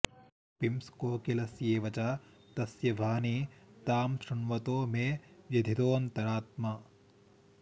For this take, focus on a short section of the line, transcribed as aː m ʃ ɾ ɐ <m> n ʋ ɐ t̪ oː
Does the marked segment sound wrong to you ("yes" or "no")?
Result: yes